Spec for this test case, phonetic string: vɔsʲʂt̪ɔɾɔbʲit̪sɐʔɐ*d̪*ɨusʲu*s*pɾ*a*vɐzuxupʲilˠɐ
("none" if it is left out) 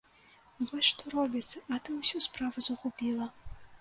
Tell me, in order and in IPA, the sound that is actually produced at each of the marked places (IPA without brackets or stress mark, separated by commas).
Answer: t̪, s, a